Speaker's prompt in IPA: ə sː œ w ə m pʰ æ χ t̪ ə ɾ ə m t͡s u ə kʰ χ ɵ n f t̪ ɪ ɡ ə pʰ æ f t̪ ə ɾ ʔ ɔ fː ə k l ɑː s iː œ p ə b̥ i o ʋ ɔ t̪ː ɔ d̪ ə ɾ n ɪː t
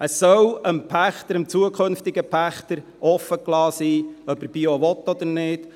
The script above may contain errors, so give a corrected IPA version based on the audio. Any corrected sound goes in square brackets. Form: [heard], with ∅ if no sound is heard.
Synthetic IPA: ə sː œ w ə m pʰ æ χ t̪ ə ɾ ə m t͡s u ə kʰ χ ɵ n f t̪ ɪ ɡ ə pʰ æ [χ] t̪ ə ɾ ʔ ɔ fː ə k l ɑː s iː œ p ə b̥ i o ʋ ɔ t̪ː ɔ d̪ ə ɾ n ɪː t